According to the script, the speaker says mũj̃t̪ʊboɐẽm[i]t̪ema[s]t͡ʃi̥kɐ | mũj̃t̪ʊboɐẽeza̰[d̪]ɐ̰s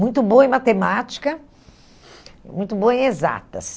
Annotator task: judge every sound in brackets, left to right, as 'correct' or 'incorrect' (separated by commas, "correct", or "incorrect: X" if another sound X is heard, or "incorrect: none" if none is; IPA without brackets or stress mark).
incorrect: a, incorrect: none, incorrect: t̪